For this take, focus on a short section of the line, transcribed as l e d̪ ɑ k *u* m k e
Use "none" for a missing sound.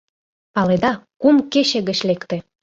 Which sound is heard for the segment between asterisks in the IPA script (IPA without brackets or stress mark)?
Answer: u